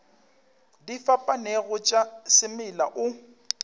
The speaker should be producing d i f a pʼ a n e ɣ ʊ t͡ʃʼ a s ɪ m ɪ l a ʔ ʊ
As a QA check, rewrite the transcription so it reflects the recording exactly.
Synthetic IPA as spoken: d i f a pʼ a n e ɣ ʊ t͡ʃʼ a s ɪ m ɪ l a ʔ ʊ